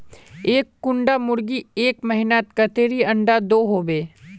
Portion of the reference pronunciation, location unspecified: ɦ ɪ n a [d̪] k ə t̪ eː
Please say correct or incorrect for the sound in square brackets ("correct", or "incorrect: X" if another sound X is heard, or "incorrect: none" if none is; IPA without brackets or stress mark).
incorrect: t̪